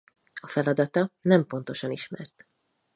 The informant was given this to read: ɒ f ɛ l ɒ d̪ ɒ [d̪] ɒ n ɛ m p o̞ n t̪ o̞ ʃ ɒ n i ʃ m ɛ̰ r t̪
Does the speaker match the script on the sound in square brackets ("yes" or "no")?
no